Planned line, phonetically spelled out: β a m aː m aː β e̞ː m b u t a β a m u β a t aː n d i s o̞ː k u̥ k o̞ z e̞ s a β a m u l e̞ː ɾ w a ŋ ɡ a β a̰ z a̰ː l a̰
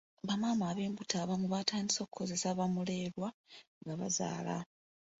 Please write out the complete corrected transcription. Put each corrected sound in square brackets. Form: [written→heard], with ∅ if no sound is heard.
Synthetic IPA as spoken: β a m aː m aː β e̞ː m b u t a β a m u β a t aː n d i s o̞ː k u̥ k o̞ z e̞ s a β a m u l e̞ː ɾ w a ŋ ɡ a β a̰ z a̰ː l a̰